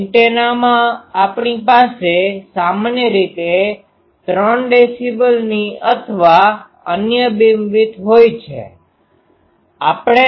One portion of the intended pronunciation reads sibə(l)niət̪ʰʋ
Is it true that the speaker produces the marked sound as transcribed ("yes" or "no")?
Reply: yes